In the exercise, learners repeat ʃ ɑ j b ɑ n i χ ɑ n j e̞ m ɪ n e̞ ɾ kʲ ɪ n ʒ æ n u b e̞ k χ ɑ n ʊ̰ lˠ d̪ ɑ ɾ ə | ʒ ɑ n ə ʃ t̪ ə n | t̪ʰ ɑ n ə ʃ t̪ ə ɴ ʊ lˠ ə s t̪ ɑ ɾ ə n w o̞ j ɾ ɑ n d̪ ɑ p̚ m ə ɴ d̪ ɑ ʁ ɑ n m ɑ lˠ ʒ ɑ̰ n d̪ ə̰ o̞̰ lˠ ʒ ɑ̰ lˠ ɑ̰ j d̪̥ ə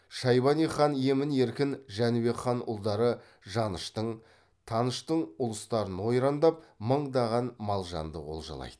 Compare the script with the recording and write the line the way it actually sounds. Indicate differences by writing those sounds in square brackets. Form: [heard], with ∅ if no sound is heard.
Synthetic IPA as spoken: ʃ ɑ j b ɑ n i χ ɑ n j e̞ m ɪ n e̞ ɾ kʲ ɪ n ʒ æ n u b e̞ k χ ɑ n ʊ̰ lˠ d̪ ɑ ɾ ə | ʒ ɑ n ə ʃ t̪ ə [ɴ] | t̪ʰ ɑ n ə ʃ t̪ ə ɴ ʊ lˠ ə s t̪ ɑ ɾ ə n w o̞ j ɾ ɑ n d̪ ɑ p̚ m ə ɴ d̪ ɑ ʁ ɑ n m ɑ lˠ ʒ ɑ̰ n d̪ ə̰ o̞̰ lˠ ʒ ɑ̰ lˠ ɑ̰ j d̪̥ ə